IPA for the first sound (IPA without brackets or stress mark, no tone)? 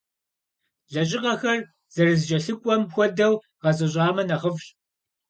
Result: ɮ